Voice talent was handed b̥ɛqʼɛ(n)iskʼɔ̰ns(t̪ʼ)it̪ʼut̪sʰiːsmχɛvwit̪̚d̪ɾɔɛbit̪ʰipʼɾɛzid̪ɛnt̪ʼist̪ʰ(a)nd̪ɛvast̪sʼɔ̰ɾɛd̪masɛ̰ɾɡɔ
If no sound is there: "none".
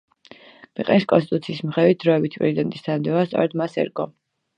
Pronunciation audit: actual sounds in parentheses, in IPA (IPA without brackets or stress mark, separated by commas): n, t̪, a